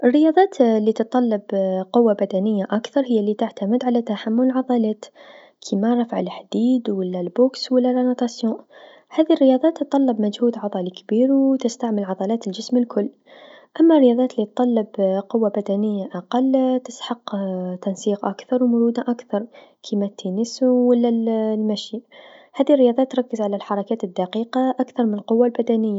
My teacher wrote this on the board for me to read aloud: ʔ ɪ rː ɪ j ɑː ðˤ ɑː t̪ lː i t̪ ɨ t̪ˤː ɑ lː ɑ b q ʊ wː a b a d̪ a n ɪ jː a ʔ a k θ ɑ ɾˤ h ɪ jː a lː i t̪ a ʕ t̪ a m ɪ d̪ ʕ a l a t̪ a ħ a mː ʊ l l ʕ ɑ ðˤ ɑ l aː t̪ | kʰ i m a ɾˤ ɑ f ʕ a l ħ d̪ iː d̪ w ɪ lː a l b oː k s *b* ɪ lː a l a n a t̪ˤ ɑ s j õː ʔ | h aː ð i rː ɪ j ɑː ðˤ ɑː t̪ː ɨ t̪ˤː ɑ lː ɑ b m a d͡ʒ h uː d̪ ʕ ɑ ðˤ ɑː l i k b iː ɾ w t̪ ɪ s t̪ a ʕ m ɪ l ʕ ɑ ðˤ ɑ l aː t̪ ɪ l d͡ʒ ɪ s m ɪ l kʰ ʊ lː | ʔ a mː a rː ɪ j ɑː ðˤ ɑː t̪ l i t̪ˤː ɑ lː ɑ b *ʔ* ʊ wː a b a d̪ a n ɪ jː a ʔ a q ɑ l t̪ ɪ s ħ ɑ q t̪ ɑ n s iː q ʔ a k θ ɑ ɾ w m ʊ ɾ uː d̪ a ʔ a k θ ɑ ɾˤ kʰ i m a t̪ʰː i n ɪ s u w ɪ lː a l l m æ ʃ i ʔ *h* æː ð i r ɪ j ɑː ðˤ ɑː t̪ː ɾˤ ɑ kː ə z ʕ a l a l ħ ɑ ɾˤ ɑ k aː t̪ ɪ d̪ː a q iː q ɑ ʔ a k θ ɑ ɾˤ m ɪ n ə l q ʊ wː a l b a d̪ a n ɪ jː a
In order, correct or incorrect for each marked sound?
incorrect, incorrect, correct

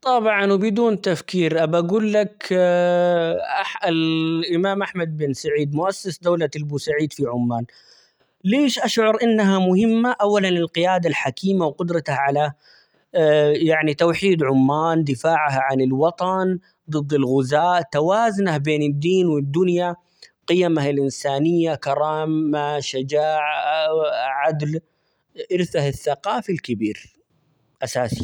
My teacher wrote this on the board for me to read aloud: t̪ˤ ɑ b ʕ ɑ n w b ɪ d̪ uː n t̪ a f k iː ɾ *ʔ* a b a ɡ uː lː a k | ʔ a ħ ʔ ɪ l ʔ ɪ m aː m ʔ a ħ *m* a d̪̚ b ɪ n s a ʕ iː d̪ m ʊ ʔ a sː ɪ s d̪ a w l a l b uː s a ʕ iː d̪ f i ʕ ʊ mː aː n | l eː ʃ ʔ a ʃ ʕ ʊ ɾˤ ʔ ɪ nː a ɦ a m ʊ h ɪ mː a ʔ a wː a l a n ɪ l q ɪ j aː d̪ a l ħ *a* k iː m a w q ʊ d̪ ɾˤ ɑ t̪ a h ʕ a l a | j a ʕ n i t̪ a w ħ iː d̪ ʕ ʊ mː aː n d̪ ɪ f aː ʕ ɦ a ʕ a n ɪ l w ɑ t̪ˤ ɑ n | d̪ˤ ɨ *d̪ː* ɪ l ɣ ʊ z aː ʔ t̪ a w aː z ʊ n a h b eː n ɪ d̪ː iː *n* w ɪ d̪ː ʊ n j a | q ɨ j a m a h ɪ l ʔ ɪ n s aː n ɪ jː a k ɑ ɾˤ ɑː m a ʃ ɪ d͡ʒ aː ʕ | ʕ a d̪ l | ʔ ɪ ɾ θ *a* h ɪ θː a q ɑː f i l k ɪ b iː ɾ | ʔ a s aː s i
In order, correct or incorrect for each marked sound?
correct, correct, correct, correct, correct, correct

